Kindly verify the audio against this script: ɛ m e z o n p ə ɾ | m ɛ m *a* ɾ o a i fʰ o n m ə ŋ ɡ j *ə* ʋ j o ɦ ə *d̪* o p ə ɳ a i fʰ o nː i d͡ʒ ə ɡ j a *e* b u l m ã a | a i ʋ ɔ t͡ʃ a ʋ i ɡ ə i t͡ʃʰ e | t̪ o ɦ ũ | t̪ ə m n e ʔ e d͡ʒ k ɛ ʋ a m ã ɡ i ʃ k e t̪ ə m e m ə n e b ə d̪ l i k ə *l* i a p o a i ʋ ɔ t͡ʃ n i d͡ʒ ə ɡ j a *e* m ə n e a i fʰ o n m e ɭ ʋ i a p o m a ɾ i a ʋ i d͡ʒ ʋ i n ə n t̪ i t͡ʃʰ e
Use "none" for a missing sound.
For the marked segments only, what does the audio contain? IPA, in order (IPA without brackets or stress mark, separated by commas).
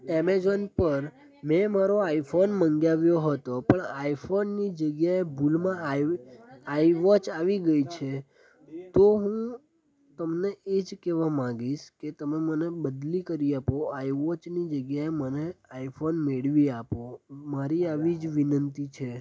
a, a, t̪, e, ɾ, e